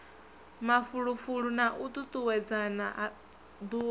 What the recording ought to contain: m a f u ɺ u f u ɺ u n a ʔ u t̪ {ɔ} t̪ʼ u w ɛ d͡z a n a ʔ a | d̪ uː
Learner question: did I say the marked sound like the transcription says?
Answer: no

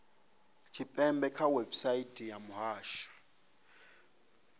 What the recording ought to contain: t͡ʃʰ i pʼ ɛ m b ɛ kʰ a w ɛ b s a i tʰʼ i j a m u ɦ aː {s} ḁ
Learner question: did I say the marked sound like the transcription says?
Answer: no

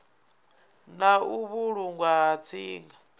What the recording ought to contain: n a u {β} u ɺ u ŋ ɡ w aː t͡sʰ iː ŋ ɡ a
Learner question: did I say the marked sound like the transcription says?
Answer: yes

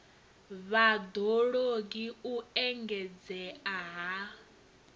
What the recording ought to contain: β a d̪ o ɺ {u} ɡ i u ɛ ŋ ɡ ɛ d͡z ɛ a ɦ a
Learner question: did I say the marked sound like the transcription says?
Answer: no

